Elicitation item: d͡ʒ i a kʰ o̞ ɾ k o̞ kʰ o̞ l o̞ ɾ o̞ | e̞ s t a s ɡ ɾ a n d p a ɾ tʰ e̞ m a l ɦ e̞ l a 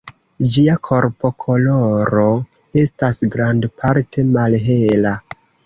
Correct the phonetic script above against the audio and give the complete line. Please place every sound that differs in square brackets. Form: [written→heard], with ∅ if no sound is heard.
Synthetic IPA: d͡ʒ i a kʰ o̞ ɾ [k→p] o̞ kʰ o̞ l o̞ ɾ o̞ | e̞ s t a s ɡ ɾ a n d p a ɾ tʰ e̞ m a l ɦ e̞ l a